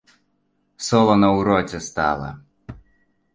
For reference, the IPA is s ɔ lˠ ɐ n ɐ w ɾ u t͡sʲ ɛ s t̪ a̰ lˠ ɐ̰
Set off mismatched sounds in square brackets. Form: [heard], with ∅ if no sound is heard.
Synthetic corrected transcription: s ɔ lˠ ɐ n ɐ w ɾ [ɔ] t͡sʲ ɛ s t̪ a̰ lˠ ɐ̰